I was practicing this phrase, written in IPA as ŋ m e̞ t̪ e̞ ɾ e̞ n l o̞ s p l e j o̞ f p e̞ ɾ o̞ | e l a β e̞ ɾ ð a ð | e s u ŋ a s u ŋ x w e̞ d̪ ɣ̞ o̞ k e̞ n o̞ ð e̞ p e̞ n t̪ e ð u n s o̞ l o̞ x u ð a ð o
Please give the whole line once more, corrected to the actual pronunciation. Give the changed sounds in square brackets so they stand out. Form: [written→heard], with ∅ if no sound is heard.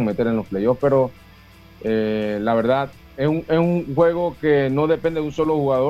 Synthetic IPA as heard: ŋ m e̞ t̪ e̞ ɾ e̞ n l o̞ s p l e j o̞ f p e̞ ɾ o̞ | e l a β e̞ ɾ ð a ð | e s u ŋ [a→e] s u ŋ x w e̞ [d̪→∅] ɣ̞ o̞ k e̞ n o̞ ð e̞ p e̞ n [t̪→d̪] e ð u n s o̞ l o̞ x u [ð→ɣ] a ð o